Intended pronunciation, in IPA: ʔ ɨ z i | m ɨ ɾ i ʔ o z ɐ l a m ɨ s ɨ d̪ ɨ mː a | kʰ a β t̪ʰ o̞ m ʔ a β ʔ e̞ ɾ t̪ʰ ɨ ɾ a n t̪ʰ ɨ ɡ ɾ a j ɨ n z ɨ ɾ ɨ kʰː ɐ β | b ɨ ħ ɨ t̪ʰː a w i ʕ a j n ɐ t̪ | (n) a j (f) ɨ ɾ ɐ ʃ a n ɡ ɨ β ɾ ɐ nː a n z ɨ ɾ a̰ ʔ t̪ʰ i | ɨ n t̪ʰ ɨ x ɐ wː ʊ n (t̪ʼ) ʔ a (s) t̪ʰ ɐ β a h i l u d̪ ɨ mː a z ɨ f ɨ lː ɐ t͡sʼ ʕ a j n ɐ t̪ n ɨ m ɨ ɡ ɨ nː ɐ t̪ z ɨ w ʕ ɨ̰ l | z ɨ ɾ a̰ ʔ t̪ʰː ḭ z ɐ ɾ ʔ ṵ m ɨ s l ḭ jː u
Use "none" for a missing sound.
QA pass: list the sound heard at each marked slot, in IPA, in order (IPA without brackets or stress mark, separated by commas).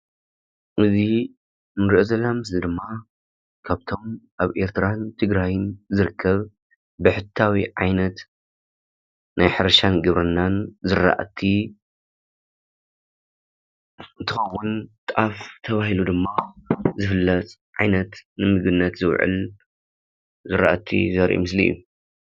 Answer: n, ħ, t̪ʼ, f